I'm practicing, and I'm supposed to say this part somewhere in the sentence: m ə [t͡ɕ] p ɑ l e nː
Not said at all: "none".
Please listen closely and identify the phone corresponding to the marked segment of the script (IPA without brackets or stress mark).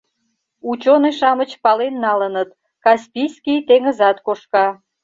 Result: t͡ɕ